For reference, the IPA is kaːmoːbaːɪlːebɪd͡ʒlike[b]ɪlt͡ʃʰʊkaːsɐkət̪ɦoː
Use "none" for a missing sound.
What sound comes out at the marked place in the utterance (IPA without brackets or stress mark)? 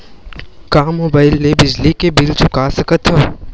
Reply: b